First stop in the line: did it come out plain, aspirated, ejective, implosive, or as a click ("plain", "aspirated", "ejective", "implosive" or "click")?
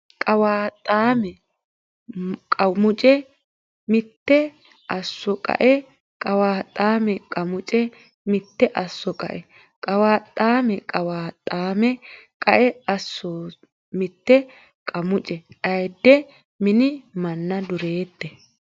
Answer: ejective